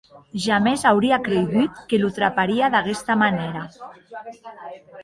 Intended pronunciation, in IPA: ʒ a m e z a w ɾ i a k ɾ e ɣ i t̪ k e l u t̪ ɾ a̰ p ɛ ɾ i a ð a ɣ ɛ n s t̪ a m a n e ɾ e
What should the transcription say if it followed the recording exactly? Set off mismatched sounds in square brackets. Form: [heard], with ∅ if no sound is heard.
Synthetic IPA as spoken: ʒ a m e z a w ɾ i a k ɾ e ɣ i t̪ k e l u t̪ ɾ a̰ p [a] ɾ i a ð a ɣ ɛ [∅] s t̪ a m a n e ɾ [a]

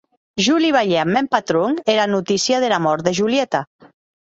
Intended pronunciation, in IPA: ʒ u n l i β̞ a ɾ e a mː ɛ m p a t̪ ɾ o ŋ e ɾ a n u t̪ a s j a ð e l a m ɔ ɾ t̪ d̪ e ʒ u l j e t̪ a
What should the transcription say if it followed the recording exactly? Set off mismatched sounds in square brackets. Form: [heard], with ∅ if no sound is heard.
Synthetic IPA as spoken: ʒ u [∅] l i β̞ a [ʎ] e a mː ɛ m p a t̪ ɾ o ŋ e ɾ a n u t̪ [i] s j a ð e l a m ɔ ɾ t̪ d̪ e ʒ u l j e t̪ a

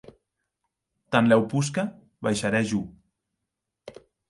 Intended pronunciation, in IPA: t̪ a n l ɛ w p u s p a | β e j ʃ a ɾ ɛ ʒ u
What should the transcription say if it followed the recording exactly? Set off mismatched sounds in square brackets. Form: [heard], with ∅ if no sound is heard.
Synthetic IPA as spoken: t̪ a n l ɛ w p u s [k] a | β [a] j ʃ a ɾ ɛ ʒ u

